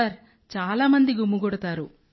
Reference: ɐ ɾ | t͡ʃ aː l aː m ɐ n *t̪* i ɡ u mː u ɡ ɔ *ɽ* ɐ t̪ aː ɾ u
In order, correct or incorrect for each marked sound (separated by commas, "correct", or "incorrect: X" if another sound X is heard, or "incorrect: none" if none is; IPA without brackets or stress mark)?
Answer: incorrect: d̪, correct